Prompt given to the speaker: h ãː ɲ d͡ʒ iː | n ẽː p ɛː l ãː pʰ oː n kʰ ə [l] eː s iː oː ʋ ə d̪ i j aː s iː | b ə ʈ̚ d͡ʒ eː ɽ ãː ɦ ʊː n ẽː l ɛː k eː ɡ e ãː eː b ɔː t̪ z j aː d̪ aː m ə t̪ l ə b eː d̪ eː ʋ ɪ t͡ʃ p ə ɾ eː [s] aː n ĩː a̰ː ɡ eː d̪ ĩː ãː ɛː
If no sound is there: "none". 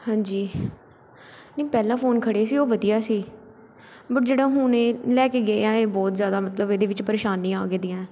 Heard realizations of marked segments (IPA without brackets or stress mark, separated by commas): ɽ, ʃ